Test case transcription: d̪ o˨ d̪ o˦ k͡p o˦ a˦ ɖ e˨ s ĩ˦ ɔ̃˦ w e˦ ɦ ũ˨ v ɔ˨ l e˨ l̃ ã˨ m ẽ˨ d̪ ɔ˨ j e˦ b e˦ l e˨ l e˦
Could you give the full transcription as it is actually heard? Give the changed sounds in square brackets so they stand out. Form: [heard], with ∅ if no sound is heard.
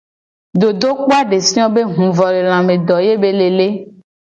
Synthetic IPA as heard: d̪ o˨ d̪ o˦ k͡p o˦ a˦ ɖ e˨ s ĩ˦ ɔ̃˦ [b] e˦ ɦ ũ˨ v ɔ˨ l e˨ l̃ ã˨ m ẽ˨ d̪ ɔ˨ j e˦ b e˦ l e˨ l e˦